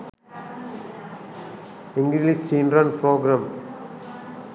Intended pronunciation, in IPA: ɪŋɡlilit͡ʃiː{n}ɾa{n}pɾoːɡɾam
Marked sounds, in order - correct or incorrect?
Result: correct, correct

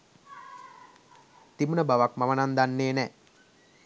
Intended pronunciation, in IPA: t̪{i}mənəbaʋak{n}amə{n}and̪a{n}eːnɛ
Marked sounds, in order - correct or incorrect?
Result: correct, incorrect, correct, incorrect

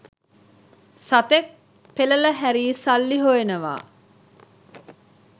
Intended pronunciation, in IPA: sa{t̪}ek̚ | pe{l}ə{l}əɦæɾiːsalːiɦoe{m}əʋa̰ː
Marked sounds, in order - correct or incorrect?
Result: correct, correct, correct, incorrect

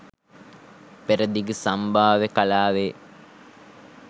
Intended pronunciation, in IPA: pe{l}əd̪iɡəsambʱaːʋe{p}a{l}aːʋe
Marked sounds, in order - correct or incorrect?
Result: incorrect, incorrect, correct

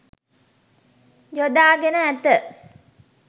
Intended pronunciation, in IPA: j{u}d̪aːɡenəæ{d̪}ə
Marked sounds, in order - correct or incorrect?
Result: incorrect, incorrect

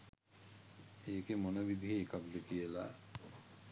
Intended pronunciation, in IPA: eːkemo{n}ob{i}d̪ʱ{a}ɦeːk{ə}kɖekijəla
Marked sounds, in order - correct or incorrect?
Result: correct, correct, incorrect, incorrect

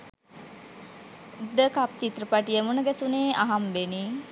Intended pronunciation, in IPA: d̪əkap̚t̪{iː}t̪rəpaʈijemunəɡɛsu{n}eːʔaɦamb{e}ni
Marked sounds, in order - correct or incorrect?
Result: incorrect, correct, correct

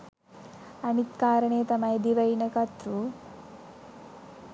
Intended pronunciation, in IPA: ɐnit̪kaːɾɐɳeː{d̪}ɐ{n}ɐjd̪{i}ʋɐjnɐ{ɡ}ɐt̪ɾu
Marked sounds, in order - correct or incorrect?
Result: incorrect, incorrect, correct, incorrect

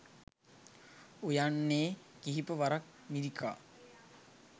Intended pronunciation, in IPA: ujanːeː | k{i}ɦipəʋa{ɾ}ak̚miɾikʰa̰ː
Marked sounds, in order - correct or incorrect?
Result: correct, correct

